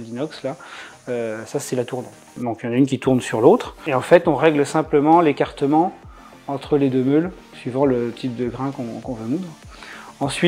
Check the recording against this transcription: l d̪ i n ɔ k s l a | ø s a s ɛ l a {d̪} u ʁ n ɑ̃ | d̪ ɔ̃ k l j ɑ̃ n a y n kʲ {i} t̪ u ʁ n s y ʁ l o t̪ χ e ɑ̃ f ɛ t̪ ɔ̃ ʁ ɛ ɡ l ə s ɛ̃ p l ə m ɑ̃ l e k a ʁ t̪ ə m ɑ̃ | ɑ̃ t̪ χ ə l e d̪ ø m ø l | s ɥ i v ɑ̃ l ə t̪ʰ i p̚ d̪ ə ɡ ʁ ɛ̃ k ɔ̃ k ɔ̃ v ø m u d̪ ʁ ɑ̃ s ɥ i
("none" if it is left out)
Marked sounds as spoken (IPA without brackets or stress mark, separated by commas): t̪, i